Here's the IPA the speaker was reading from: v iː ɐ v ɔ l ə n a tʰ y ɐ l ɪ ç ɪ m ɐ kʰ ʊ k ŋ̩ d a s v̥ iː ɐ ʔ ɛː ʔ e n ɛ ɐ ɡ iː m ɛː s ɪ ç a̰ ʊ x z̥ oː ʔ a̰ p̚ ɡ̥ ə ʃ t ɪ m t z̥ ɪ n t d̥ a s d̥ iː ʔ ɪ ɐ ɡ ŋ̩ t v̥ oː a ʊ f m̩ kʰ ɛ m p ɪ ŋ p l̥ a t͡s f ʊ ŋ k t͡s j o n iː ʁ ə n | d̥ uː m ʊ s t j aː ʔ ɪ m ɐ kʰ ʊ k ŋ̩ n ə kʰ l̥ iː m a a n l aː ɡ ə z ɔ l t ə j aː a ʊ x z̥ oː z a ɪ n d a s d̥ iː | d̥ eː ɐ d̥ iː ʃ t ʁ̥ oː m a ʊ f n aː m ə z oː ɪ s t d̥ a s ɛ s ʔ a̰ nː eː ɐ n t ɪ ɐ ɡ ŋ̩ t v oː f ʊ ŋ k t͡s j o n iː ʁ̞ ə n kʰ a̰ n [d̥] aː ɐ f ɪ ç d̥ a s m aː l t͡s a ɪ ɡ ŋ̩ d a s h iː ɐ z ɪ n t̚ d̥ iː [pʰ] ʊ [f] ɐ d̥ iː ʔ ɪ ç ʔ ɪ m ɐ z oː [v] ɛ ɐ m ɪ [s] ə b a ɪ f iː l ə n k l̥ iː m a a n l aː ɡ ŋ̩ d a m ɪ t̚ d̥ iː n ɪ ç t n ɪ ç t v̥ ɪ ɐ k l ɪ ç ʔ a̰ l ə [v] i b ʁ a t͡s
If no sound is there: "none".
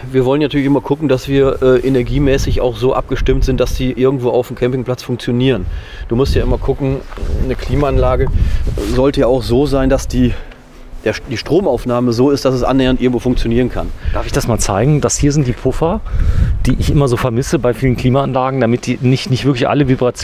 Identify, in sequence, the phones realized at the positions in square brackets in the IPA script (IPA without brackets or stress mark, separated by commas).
d̥, pʰ, f, f, s, v